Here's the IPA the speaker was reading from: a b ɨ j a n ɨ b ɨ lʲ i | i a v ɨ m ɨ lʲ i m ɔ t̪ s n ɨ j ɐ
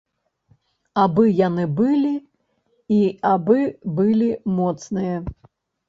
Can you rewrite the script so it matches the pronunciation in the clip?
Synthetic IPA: a b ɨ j a n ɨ b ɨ lʲ i | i a b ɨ b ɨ lʲ i m ɔ t̪ s n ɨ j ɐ